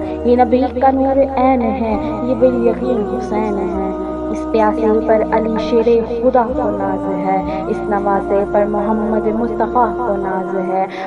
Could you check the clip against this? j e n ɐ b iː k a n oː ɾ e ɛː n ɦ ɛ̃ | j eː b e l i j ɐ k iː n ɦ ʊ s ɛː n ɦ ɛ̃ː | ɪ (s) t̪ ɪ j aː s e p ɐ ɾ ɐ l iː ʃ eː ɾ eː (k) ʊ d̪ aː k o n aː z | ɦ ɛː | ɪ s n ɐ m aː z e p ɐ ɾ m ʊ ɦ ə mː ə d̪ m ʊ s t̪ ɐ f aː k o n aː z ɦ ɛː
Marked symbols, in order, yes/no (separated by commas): yes, no